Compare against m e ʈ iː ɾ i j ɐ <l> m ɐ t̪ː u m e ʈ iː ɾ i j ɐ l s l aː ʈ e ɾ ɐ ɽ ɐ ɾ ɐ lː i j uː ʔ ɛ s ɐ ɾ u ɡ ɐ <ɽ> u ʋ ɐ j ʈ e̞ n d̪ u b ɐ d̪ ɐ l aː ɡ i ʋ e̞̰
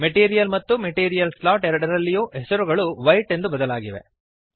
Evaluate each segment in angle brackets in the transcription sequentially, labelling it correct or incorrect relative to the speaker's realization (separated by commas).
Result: correct, incorrect